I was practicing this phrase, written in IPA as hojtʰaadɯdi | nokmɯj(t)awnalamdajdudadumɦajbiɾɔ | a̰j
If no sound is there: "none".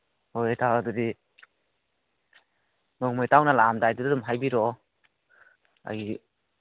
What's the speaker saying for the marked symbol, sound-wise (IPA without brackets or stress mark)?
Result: t